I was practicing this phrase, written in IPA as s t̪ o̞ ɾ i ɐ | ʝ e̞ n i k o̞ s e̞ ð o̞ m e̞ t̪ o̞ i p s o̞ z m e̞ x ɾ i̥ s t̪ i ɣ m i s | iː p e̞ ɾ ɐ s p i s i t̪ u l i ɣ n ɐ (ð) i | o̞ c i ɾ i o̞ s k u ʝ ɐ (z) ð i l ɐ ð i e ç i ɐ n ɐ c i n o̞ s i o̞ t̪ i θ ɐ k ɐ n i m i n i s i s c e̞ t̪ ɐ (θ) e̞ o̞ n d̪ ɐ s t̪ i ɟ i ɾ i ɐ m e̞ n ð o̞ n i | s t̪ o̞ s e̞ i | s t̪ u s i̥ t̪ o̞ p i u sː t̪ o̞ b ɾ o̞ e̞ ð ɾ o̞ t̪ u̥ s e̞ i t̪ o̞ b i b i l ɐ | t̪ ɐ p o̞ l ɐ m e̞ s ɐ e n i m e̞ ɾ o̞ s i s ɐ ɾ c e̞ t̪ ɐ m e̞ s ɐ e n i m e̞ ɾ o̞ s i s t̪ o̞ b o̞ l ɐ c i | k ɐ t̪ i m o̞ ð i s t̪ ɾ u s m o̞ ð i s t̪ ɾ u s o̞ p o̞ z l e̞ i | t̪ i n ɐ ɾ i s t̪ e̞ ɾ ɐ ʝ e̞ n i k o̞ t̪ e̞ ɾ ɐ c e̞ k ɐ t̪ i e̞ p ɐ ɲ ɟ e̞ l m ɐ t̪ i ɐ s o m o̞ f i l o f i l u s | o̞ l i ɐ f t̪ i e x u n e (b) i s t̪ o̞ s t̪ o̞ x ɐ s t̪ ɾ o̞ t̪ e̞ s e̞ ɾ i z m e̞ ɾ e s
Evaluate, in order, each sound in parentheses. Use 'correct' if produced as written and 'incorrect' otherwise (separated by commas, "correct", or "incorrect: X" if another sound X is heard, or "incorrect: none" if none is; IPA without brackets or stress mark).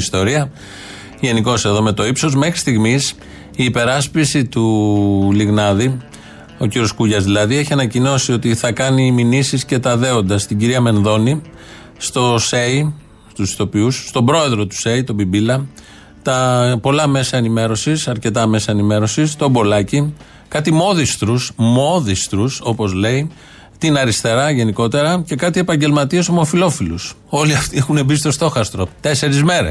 correct, correct, incorrect: ð, correct